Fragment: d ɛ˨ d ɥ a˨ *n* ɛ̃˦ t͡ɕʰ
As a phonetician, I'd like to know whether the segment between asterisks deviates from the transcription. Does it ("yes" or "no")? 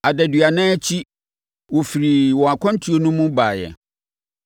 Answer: no